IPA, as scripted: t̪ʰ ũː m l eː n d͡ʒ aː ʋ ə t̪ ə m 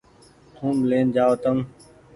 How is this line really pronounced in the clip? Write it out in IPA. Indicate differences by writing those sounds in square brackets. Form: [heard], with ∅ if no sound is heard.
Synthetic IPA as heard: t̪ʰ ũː m l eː n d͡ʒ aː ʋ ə t̪ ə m